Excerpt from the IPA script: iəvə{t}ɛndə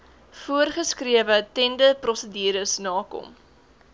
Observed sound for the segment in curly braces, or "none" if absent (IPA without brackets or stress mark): t